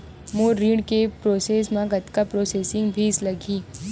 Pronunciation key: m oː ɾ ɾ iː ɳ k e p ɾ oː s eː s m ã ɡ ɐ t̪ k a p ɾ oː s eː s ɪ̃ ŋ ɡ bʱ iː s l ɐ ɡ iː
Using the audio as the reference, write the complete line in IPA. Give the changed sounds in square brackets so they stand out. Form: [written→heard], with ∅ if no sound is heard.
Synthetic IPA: m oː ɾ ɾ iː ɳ k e p ɾ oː s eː s m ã ɡ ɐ t̪ k a p ɾ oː s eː s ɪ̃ ŋ ɡ bʱ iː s l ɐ ɡ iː